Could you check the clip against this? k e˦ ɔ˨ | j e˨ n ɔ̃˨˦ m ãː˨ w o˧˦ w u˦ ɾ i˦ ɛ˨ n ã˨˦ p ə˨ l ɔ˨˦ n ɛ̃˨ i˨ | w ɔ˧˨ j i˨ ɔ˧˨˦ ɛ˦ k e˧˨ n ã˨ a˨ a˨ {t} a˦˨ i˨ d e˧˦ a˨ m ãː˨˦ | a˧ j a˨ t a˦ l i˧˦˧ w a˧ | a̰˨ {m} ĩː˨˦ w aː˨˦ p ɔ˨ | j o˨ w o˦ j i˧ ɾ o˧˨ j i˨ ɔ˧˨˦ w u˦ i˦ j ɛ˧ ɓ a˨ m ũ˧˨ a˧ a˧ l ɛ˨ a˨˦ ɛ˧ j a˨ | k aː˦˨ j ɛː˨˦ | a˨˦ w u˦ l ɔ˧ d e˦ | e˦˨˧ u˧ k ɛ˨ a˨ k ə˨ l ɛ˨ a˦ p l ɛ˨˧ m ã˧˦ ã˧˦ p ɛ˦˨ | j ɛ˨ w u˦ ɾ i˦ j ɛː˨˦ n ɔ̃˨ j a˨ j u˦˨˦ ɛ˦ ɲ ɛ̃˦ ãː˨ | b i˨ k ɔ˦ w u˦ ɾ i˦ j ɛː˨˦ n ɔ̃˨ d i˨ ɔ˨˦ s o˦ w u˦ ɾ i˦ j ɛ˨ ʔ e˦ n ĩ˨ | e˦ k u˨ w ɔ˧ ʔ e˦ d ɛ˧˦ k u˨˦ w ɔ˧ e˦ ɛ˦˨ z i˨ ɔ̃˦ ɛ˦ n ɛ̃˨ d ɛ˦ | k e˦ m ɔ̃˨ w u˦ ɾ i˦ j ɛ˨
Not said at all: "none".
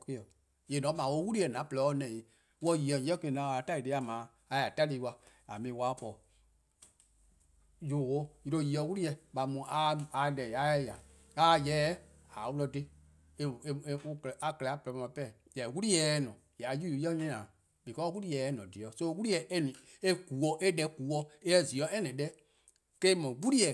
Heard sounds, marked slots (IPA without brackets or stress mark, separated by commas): t, m